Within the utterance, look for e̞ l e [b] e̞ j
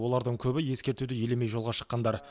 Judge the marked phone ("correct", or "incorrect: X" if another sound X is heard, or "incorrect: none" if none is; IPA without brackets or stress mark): incorrect: m